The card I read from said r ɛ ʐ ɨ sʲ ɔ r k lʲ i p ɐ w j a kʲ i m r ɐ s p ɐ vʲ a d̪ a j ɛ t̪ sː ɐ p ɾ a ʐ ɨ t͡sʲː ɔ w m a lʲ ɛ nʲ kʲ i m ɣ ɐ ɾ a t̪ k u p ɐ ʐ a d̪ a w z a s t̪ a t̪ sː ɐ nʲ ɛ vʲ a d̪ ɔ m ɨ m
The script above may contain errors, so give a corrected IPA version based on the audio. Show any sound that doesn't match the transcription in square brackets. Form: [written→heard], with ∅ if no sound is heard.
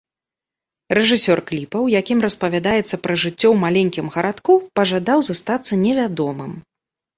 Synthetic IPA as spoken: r ɛ ʐ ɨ sʲ ɔ r k lʲ i p ɐ w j a kʲ i m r ɐ s p ɐ vʲ a d̪ a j ɛ t̪ sː ɐ p ɾ [a→ɐ] ʐ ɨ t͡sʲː ɔ w m a lʲ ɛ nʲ kʲ i m ɣ ɐ ɾ a t̪ k u p ɐ ʐ a d̪ a w z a s t̪ a t̪ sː ɐ nʲ ɛ vʲ a d̪ ɔ m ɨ m